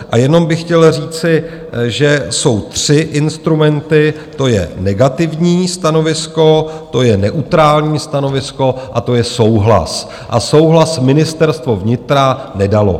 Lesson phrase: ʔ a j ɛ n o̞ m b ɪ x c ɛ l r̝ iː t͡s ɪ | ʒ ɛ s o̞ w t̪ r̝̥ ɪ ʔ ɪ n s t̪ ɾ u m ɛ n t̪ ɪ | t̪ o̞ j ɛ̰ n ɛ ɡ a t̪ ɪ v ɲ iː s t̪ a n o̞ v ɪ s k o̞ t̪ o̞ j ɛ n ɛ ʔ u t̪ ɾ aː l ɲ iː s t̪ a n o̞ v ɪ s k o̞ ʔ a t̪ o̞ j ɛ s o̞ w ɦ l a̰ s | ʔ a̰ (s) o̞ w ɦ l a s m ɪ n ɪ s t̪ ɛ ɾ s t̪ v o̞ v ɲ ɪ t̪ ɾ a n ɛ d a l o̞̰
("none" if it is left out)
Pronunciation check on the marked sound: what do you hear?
s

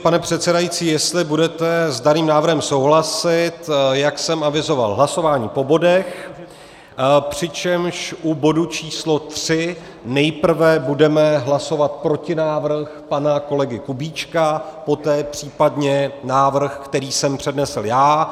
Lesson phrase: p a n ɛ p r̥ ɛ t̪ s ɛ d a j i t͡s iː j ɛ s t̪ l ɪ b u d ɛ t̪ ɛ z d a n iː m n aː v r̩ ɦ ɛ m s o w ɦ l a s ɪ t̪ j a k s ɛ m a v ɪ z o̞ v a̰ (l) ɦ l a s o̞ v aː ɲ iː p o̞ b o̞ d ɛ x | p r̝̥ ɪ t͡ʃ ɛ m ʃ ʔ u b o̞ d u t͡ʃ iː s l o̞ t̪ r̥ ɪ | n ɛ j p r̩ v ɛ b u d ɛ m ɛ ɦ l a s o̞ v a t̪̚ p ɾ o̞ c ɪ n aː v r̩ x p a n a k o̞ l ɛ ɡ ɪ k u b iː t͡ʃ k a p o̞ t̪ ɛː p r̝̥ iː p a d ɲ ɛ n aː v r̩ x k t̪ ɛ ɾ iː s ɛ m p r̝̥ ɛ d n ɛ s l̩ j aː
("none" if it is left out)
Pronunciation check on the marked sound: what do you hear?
l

